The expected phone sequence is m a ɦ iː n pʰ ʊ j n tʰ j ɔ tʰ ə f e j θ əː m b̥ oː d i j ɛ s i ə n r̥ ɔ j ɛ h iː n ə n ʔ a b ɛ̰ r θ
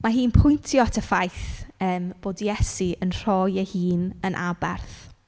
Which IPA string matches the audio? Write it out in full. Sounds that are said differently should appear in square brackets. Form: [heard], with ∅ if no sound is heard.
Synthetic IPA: m a ɦ iː n pʰ ʊ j n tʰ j ɔ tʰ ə f [a] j θ əː m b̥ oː d i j ɛ s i ə n r̥ ɔ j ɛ h iː n ə n ʔ a b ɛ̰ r θ